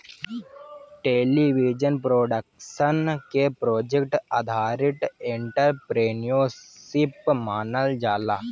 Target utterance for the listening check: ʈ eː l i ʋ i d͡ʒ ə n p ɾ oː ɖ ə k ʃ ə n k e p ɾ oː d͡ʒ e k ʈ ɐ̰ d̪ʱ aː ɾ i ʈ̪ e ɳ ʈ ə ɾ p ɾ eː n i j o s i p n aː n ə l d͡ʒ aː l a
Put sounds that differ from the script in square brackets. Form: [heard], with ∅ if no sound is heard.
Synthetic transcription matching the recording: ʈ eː l i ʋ i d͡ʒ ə n p ɾ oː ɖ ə k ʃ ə n k e p ɾ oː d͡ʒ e k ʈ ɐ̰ d̪ʱ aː ɾ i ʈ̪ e ɳ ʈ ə ɾ p ɾ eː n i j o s i p [m] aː n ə l d͡ʒ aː l a

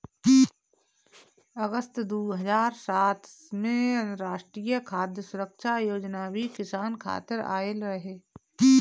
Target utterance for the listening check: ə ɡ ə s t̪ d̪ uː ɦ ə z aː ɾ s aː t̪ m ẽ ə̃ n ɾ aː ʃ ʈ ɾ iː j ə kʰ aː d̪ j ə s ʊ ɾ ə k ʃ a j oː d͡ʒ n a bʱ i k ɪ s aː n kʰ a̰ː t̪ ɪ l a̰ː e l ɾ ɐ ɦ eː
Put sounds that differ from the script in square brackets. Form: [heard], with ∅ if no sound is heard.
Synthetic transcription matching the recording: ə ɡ ə s t̪ d̪ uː ɦ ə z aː ɾ s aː t̪ m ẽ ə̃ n ɾ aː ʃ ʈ ɾ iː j ə kʰ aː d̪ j ə s ʊ ɾ ə k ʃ a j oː d͡ʒ n a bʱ i k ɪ s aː n kʰ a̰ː t̪ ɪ [ɾ] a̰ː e l ɾ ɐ ɦ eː

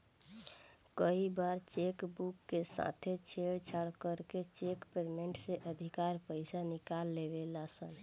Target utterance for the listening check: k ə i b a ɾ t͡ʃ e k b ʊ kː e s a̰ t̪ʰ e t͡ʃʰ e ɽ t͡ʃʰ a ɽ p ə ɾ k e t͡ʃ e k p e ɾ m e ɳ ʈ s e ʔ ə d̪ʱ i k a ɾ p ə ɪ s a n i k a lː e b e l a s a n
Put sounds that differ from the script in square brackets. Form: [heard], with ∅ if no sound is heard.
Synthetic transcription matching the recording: k ə i b a ɾ t͡ʃ e k b [u] kː e s a̰ t̪ʰ e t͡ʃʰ e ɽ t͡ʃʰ a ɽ [k] ə ɾ k e t͡ʃ e k p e ɾ m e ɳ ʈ s e ʔ ə d̪ʱ i k a ɾ p ə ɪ s a n i k a lː e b e l a s [ə] n

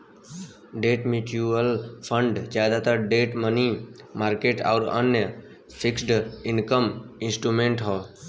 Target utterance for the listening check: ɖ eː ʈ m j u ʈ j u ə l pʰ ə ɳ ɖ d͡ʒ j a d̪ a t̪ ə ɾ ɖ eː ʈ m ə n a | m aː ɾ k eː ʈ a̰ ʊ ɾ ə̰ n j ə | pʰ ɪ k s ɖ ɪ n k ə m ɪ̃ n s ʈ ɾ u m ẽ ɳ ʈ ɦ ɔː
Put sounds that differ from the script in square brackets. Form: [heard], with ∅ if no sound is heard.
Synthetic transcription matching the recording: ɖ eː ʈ m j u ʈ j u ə l pʰ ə ɳ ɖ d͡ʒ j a d̪ a t̪ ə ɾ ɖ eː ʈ m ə n [i] | m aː ɾ k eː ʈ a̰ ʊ ɾ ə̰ n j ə | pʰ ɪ k s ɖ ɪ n k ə m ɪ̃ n s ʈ ɾ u m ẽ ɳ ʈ ɦ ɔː

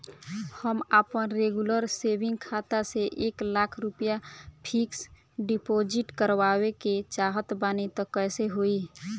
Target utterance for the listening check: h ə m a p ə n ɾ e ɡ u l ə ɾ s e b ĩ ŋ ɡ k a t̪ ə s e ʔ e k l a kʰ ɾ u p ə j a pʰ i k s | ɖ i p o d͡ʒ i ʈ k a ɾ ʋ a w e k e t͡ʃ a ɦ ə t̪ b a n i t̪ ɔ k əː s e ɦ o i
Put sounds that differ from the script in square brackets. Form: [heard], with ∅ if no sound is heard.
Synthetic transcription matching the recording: h ə m a p ə n ɾ e ɡ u l ə ɾ s e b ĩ ŋ ɡ [kʰ] a t̪ [a] s e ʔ e k l a kʰ ɾ u p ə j a pʰ i k s | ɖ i p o d͡ʒ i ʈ k [ə] ɾ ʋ a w e k e t͡ʃ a ɦ ə t̪ b a n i t̪ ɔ k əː s e ɦ o i

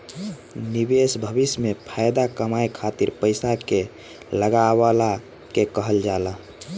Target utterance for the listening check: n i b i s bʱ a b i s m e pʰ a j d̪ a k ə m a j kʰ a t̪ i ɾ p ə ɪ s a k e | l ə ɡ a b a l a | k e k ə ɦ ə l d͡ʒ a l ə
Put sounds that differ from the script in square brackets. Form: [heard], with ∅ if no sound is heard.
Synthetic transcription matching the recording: n i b [e] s bʱ [ə] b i s m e pʰ a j d̪ a k ə m a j kʰ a t̪ i ɾ p ə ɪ s a k e | l ə ɡ a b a l a | k e k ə ɦ ə l d͡ʒ a l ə

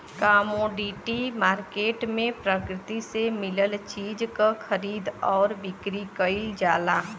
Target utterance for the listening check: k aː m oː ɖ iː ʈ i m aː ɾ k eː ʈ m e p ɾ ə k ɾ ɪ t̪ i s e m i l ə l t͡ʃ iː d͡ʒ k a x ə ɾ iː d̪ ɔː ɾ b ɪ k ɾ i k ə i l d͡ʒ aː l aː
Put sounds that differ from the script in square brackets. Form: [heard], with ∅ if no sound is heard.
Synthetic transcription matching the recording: k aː m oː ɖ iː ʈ i m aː ɾ k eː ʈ m [ẽ] p ɾ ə k ɾ ɪ t̪ i s e m [ɪ] l ə l t͡ʃ iː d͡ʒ k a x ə ɾ iː d̪ ɔː ɾ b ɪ k ɾ i k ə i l d͡ʒ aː l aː

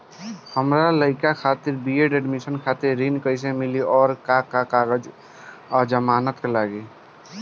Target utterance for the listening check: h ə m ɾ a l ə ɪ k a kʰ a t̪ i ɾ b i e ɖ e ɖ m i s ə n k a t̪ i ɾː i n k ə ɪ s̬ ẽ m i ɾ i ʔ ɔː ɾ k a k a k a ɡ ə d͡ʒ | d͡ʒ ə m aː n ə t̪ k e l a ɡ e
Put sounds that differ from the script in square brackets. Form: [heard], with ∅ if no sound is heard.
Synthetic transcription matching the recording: h ə m ɾ a l ə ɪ k a kʰ a t̪ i ɾ b i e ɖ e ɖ m i s ə n [kʰ] a t̪ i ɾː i n k ə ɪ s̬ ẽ m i [l] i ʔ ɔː ɾ k a k a k a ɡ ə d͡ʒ | d͡ʒ ə m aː n ə t̪ k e l a ɡ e

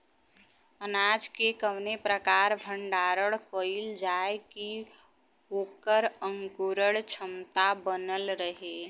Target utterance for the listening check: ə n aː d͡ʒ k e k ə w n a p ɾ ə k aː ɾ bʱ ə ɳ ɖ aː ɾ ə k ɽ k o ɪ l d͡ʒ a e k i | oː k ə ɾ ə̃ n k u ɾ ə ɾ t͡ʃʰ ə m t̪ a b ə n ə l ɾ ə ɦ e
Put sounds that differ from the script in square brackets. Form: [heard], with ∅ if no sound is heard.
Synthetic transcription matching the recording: ə n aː d͡ʒ k e k ə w n [e] p ɾ ə k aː ɾ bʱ ə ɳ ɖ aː ɾ ə [∅] ɽ k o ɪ l d͡ʒ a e k i | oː k ə ɾ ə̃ [ŋ] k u ɾ ə [ɽ] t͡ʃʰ ə m t̪ a b ə n ə l ɾ ə ɦ e

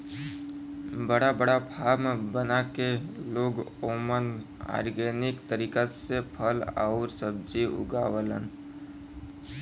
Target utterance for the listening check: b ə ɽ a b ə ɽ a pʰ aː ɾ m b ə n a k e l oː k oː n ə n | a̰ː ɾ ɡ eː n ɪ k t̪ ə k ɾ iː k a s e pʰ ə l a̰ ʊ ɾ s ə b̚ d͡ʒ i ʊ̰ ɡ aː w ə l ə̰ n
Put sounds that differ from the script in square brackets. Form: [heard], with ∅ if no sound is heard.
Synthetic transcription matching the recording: b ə ɽ a b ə ɽ a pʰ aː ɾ m b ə n a k e l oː [ɡ] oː [m] ə n | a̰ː ɾ ɡ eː n ɪ k t̪ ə [∅] ɾ iː k a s e pʰ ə l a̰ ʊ ɾ s ə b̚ d͡ʒ i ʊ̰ ɡ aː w ə l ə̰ n

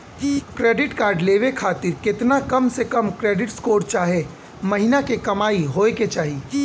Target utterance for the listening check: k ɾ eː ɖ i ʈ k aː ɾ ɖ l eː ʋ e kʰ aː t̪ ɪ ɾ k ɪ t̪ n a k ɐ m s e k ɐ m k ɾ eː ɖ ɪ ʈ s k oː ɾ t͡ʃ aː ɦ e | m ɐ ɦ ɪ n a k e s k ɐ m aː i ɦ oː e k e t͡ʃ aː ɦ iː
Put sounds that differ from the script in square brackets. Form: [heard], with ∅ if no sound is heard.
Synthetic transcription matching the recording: k ɾ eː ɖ [ɪ] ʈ k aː ɾ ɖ l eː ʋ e kʰ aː t̪ ɪ ɾ k ɪ t̪ n a k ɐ m s e k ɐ m k ɾ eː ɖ ɪ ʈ s k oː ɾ t͡ʃ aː ɦ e | m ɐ ɦ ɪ n a k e [∅] k ɐ m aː i ɦ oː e k e t͡ʃ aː ɦ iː

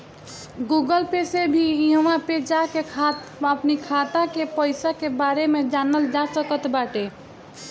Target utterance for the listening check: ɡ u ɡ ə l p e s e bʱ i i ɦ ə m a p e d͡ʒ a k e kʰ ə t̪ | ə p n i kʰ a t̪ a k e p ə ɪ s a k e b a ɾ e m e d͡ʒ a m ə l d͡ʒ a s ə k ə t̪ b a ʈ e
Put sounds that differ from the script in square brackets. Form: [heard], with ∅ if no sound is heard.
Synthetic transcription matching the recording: ɡ u ɡ ə l p e s e bʱ i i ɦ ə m a p e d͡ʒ a k e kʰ [a] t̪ | ə p n i kʰ a t̪ a k e p ə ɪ s a k e b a ɾ e m e d͡ʒ a [n] ə l d͡ʒ a s ə k ə t̪ b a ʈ e

